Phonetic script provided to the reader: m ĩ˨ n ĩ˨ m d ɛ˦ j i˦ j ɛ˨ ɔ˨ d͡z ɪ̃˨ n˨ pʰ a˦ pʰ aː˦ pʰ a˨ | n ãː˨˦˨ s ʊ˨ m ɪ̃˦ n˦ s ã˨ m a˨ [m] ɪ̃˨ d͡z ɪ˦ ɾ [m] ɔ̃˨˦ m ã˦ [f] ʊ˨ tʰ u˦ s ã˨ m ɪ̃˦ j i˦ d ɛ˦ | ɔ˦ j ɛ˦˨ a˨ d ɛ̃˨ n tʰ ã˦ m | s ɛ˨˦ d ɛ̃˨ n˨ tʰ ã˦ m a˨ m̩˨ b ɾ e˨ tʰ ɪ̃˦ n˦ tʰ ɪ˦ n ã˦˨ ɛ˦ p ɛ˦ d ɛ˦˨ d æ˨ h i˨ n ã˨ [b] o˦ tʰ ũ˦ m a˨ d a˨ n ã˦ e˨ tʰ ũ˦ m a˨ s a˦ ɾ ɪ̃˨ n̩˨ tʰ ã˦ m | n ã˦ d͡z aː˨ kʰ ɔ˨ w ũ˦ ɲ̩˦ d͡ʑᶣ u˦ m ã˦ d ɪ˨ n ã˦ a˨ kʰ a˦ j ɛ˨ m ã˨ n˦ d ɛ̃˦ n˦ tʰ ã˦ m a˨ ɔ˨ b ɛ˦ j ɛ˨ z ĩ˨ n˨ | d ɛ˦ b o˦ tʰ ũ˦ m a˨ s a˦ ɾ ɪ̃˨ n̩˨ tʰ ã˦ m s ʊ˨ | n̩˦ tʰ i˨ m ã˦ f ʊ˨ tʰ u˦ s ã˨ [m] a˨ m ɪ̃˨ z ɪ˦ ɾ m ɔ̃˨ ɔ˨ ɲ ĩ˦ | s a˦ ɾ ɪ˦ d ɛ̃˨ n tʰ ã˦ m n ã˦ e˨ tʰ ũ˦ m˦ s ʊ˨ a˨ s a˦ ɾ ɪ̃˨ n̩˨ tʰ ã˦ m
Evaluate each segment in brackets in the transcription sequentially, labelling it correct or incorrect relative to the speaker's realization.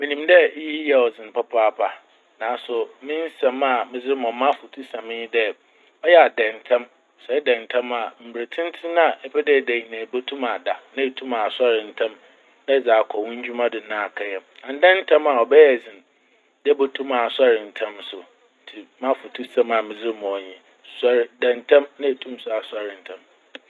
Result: correct, correct, correct, correct, correct

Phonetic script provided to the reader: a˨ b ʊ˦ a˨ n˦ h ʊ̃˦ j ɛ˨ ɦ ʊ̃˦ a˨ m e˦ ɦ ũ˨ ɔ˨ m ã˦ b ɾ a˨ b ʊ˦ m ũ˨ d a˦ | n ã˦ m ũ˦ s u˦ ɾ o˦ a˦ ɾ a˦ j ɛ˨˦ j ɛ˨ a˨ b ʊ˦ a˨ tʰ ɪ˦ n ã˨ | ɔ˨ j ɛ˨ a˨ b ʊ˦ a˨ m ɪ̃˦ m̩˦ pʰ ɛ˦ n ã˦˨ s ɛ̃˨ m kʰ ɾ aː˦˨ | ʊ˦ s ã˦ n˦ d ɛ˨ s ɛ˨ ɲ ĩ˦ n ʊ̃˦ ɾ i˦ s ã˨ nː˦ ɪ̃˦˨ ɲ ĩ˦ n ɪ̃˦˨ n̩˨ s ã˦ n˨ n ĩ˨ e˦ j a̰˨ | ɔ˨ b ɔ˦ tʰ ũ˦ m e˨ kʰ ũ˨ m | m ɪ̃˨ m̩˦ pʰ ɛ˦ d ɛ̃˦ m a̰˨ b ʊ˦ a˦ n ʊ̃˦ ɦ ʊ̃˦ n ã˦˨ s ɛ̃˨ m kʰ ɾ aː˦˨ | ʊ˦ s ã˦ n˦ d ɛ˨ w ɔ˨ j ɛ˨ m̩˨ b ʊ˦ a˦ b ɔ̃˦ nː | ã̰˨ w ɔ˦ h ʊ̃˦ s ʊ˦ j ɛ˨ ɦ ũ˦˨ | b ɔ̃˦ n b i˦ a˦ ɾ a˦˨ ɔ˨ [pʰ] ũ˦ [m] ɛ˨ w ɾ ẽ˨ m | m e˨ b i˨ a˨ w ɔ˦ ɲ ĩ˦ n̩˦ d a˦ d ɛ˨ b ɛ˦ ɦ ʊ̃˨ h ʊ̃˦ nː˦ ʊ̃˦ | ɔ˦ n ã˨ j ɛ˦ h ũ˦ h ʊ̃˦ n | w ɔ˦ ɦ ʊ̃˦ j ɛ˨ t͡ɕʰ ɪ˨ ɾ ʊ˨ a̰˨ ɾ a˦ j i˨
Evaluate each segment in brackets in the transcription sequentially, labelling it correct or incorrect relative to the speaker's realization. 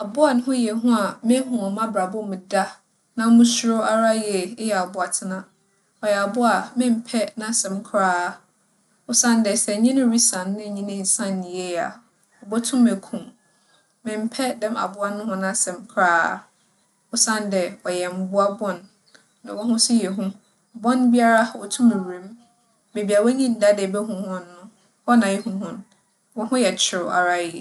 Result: incorrect: tʰ, correct

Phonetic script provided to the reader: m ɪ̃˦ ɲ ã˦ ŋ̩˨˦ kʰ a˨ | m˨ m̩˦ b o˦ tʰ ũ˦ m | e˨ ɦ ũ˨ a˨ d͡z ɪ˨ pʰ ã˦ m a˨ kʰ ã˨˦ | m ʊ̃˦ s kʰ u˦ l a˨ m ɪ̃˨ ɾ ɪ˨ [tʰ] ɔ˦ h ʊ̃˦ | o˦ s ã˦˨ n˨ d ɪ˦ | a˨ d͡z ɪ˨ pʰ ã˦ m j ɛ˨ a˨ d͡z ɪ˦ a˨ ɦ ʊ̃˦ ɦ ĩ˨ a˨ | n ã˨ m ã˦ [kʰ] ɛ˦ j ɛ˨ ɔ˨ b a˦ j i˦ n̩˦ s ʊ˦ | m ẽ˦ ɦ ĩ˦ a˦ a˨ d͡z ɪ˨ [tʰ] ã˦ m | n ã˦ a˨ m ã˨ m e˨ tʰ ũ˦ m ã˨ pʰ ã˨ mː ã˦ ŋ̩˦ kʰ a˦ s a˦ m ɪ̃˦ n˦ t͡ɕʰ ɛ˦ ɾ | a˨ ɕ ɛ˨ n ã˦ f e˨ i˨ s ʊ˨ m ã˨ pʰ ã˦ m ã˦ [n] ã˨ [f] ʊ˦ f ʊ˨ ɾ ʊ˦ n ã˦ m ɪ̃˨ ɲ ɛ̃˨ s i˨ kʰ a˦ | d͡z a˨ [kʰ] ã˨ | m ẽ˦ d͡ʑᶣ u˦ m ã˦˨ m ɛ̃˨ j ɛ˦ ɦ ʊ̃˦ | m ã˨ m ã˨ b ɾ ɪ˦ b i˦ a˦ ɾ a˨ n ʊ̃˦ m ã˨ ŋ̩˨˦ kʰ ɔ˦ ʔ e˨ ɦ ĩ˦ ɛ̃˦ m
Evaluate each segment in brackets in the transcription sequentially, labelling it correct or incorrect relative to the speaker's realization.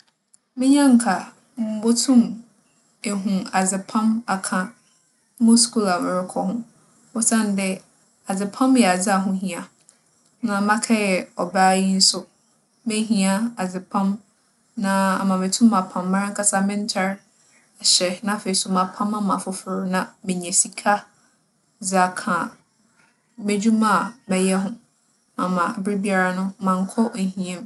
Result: incorrect: kʰ, correct, incorrect: pʰ, incorrect: m, correct, correct

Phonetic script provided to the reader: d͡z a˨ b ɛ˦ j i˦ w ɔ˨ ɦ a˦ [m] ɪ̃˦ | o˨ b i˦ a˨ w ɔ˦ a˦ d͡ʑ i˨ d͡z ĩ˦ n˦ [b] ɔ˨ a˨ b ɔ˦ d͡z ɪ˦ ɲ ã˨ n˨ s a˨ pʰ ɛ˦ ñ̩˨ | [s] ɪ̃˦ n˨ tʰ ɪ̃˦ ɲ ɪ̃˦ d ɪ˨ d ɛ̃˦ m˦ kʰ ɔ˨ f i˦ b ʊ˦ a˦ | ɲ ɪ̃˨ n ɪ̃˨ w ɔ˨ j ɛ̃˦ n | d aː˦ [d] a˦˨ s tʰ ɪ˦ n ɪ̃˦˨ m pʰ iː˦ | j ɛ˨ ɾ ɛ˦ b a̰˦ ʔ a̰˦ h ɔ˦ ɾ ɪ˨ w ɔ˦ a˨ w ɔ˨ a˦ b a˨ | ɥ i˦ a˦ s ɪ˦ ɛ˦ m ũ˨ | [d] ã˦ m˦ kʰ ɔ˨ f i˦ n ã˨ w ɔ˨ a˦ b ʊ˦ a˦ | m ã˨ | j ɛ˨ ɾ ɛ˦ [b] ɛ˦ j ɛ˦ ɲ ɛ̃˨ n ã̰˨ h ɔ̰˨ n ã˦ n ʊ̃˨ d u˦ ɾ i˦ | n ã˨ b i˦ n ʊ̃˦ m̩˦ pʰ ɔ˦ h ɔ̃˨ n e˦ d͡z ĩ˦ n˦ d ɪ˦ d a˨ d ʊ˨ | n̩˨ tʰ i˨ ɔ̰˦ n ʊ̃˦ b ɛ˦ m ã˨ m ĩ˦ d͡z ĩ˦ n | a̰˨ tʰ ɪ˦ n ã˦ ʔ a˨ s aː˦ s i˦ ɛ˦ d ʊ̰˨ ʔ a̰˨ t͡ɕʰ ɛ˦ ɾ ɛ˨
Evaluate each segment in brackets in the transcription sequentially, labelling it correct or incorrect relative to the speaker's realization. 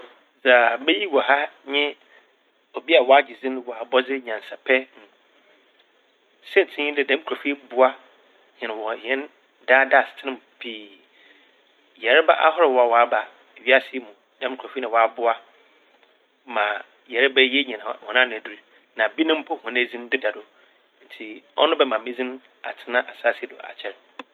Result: incorrect: ɲ, incorrect: w, correct, correct, correct, correct

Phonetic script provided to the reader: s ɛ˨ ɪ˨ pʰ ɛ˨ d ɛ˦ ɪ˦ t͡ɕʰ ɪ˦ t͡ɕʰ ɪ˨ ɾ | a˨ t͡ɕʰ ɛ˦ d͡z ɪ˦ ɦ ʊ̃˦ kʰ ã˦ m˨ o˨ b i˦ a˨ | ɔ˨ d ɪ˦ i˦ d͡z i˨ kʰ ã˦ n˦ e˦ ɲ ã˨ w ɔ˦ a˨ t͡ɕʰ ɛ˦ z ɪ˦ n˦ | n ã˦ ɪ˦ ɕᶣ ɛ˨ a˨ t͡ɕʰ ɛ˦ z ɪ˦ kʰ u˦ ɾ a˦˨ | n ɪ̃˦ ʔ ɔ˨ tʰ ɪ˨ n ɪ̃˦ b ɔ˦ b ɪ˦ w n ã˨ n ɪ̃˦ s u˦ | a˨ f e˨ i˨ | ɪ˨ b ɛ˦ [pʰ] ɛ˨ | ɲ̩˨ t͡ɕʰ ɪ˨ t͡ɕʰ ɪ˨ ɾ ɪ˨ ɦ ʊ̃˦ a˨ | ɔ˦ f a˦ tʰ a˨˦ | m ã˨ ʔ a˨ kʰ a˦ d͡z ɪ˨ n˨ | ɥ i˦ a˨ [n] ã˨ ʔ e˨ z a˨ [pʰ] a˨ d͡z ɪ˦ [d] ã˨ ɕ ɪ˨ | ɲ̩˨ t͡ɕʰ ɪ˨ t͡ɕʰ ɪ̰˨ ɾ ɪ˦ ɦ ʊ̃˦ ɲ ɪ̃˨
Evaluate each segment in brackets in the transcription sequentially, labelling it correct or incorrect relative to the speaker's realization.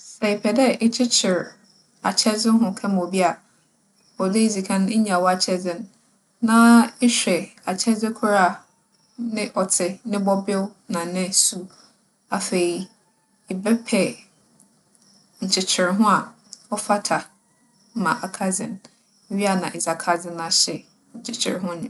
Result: correct, correct, incorrect: kʰ, incorrect: n

